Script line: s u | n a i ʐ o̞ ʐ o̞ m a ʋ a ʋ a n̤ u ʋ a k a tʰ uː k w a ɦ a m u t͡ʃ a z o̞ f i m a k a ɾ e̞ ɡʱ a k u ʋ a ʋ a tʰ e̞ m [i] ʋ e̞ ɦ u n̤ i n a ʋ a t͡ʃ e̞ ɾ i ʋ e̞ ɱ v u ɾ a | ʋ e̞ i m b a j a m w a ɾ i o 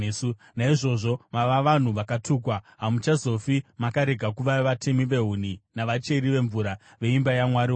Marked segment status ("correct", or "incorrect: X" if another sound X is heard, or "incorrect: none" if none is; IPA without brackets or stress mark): correct